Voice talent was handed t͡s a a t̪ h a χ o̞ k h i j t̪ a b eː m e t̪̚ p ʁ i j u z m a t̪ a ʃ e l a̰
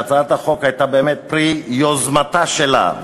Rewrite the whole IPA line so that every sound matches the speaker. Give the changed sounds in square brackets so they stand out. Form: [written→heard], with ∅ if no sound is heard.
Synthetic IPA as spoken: t͡s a a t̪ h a χ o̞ k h [i→a] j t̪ a b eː m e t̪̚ p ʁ i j [u→o] z m a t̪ a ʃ e l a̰